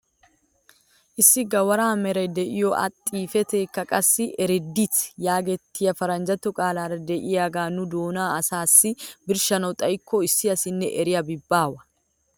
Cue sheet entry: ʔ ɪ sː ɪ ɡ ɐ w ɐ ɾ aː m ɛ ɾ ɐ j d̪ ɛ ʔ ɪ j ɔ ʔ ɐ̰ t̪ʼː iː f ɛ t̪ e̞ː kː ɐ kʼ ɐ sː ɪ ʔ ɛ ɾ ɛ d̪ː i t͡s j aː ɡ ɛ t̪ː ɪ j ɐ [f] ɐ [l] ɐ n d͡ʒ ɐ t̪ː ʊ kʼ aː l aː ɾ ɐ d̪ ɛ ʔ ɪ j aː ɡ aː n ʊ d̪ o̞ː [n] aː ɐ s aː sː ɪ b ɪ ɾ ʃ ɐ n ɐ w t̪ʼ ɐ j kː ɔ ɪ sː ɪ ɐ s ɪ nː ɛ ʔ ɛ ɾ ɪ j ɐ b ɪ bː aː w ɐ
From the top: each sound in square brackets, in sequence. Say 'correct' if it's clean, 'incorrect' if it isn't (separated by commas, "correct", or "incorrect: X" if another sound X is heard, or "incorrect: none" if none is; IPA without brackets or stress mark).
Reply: correct, incorrect: ɾ, correct